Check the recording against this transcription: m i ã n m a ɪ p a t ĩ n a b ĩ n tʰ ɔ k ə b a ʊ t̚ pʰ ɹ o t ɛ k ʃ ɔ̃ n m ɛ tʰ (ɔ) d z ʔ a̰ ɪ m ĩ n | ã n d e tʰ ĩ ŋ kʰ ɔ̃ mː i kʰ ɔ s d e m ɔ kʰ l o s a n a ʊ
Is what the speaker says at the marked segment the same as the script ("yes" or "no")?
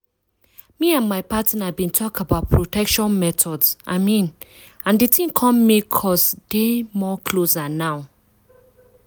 yes